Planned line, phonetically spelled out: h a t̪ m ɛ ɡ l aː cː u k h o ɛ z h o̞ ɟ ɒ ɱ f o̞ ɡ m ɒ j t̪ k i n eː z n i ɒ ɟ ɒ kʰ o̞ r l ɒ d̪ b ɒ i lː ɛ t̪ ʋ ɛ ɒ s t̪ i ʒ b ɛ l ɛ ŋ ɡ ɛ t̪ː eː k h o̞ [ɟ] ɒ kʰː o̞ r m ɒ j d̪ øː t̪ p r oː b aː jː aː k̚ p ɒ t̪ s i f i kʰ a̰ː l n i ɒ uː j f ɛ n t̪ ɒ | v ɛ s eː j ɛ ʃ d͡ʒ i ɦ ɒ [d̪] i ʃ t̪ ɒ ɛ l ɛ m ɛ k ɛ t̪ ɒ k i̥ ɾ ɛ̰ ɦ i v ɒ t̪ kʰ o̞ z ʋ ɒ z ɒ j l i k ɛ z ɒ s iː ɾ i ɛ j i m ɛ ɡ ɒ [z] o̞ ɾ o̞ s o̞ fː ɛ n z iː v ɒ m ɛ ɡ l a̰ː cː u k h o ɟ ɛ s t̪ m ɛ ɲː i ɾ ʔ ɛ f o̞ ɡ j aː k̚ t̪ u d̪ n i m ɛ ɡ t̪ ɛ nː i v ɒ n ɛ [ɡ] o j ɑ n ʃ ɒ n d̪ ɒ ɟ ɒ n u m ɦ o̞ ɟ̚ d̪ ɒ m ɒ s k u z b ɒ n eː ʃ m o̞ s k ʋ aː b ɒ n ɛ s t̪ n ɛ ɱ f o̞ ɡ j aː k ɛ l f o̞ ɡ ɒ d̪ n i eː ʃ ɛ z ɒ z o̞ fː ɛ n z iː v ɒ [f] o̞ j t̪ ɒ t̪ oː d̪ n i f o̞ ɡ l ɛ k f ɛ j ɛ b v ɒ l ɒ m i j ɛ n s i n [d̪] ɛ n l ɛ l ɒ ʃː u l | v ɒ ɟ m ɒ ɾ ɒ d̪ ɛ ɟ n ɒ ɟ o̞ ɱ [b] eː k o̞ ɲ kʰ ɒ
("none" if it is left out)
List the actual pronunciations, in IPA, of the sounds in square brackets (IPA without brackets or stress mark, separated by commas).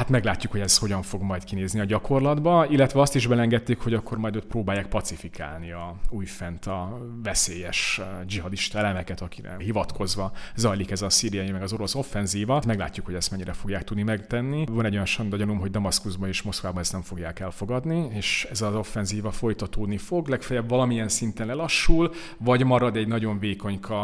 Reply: ɟ, d̪, z, ɟ, f, t̪, v